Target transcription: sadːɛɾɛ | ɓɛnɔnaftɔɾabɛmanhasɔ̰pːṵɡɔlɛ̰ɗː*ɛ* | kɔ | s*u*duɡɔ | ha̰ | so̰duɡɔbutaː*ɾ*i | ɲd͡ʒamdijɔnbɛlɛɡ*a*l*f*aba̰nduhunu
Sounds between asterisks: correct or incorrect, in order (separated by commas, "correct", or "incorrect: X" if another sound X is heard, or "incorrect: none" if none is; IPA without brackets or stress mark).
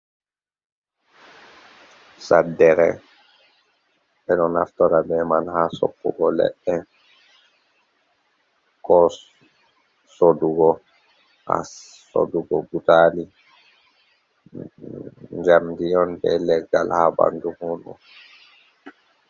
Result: correct, incorrect: o, incorrect: l, correct, incorrect: h